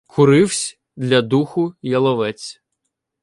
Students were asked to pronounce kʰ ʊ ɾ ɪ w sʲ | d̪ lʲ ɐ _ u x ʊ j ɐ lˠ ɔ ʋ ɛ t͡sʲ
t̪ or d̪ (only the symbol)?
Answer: d̪